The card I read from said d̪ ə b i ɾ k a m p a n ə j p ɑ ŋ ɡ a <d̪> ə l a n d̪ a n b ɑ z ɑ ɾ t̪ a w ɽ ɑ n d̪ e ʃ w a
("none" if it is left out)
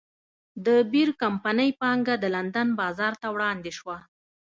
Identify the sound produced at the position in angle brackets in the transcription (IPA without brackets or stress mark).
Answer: d̪